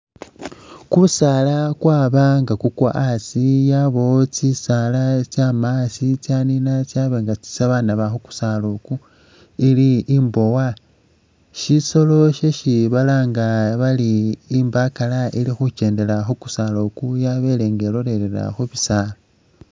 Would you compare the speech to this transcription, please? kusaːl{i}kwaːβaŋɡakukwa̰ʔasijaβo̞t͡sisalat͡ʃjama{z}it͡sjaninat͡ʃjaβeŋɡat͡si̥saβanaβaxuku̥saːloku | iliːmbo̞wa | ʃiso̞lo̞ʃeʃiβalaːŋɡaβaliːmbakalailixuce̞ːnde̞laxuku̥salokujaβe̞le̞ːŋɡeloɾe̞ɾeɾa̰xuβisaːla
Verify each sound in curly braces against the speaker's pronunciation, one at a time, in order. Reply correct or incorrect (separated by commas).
incorrect, incorrect